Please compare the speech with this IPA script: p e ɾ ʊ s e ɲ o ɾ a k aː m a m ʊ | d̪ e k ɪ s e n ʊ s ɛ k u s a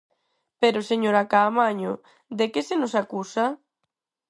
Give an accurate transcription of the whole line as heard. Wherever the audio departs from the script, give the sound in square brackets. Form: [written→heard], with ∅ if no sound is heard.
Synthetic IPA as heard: p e ɾ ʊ s e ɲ o ɾ a k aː m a [m→ɲ] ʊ | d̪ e k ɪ s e n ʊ s [ɛ→a] k u s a